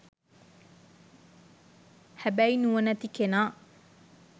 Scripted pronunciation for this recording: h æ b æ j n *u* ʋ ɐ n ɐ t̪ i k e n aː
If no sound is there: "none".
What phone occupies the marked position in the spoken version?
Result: u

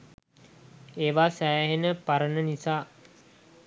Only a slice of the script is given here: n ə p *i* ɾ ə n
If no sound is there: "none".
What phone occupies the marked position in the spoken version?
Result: a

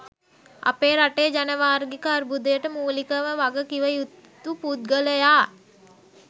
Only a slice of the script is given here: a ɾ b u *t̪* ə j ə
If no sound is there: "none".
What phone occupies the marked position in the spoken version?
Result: d̪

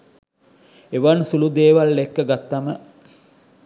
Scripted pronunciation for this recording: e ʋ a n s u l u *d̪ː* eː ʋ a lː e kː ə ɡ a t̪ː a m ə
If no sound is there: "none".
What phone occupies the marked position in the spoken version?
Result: d̪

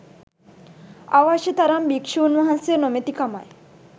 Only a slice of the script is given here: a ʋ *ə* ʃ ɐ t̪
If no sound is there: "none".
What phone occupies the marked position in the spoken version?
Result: a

